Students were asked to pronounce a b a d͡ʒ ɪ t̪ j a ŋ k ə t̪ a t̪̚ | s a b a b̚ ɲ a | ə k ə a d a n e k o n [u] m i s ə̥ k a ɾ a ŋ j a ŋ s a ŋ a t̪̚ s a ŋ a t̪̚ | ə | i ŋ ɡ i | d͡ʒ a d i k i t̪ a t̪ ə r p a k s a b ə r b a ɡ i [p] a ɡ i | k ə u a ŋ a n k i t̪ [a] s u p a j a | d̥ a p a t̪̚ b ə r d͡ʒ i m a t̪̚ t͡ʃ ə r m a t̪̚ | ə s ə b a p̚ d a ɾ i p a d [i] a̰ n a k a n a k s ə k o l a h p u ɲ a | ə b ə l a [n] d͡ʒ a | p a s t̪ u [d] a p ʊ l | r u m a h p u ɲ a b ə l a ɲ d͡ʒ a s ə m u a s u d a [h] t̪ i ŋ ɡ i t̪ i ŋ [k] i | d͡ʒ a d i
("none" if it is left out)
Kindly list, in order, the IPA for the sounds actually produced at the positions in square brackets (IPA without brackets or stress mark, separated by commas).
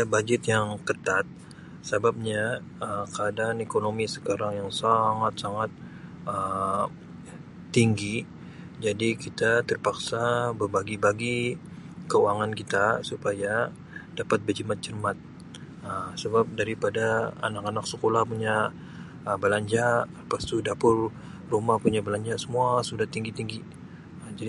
o, b, a, a, ɲ, d, h, ɡ